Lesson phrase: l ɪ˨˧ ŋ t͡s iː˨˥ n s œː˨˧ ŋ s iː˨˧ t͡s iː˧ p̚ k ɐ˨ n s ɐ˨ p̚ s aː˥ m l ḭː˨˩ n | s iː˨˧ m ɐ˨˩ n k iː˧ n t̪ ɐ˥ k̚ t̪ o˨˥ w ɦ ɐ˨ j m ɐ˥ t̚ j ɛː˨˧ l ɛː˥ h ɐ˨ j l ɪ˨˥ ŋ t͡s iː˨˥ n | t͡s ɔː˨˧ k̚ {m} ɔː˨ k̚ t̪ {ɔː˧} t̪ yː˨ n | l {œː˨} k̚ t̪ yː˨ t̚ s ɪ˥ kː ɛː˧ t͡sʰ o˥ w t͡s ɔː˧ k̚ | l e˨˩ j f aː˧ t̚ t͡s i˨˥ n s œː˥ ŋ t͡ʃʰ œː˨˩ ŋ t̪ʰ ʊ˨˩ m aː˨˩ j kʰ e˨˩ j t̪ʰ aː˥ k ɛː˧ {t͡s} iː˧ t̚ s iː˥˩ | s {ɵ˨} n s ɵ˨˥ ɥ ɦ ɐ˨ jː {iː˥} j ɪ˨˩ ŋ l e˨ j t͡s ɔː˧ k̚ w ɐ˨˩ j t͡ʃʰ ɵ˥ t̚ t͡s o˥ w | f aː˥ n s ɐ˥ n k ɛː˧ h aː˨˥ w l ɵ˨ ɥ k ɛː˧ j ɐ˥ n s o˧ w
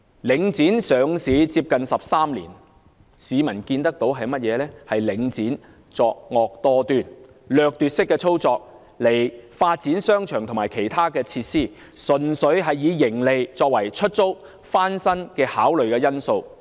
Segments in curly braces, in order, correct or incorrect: incorrect: ŋ, correct, correct, incorrect: t͡sʰ, correct, incorrect: iː˨˧

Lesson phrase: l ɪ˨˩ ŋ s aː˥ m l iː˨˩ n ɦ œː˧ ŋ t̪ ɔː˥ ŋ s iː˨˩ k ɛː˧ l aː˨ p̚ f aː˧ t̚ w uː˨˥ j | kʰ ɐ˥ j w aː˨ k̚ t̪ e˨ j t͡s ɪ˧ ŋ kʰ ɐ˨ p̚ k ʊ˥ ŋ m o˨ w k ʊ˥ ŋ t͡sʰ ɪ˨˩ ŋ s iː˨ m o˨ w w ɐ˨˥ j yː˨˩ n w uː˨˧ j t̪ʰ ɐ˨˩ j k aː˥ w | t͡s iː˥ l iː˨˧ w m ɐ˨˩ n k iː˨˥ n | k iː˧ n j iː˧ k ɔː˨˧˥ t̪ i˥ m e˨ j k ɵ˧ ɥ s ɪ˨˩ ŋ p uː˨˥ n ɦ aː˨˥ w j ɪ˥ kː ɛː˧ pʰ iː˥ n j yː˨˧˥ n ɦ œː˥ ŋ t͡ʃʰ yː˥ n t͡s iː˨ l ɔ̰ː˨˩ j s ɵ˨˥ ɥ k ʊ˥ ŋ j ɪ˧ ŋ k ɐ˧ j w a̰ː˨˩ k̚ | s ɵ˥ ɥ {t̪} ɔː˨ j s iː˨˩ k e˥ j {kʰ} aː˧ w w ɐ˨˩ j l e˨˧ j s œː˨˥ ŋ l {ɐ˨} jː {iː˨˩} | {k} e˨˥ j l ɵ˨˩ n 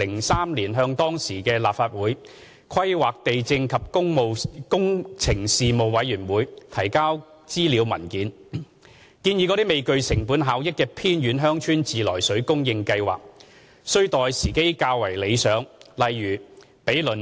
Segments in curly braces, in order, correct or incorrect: correct, incorrect: k, correct, incorrect: yː˨˩, incorrect: p

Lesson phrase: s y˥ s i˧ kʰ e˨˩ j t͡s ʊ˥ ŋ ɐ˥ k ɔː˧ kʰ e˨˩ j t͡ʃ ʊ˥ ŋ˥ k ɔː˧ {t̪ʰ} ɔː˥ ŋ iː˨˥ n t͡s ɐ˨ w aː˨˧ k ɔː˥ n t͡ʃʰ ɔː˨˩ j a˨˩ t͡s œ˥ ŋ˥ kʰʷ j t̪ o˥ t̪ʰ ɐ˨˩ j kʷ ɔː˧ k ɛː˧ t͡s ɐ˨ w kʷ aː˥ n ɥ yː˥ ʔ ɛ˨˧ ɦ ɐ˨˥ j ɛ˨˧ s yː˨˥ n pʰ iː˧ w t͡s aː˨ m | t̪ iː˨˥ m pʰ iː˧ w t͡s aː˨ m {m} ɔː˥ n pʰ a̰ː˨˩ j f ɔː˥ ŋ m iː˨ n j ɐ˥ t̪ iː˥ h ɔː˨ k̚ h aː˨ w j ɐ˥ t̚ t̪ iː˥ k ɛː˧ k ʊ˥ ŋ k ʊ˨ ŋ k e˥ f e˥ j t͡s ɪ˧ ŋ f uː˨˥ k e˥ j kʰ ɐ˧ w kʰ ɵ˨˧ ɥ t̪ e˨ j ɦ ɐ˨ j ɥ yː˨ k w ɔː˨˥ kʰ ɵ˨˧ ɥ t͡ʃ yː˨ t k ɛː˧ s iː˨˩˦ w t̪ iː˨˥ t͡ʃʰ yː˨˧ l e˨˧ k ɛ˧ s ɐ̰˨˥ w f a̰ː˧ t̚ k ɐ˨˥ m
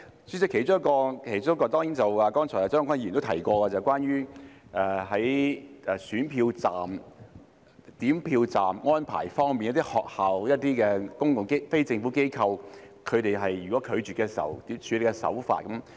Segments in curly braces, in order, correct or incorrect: incorrect: t̪, incorrect: ŋ

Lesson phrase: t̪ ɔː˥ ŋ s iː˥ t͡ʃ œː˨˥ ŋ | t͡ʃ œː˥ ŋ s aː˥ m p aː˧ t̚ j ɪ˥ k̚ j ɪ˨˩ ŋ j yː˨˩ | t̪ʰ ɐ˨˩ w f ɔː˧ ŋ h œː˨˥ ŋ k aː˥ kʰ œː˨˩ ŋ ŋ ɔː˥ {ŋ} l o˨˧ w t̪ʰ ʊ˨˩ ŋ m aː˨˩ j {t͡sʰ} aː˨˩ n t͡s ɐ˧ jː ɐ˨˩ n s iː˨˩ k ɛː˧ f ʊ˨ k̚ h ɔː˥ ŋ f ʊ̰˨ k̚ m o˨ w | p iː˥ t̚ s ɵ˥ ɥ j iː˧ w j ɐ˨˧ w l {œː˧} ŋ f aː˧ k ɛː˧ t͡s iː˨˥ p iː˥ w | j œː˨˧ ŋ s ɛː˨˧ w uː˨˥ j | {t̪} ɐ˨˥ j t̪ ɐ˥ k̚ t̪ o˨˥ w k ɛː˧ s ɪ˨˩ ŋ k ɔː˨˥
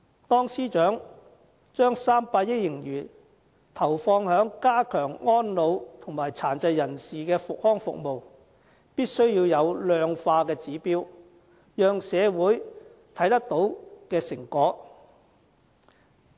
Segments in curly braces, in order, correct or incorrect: incorrect: n, correct, correct, incorrect: t̪ʰ

